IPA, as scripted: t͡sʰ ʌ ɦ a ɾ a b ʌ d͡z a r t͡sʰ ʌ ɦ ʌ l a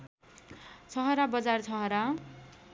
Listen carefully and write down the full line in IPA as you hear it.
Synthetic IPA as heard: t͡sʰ ʌ ɦ ʌ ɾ a b ʌ d͡z a r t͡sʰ ʌ ɦ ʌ ɾ a